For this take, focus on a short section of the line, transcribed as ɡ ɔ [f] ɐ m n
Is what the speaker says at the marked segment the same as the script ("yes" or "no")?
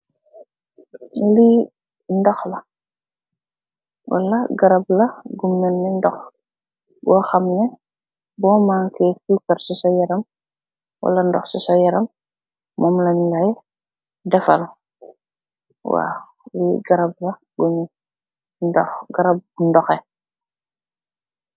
no